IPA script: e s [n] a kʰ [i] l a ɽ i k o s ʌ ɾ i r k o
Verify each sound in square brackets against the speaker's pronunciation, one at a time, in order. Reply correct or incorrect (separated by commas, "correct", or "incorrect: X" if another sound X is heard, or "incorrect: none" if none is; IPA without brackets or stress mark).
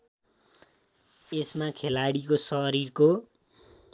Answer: incorrect: m, incorrect: e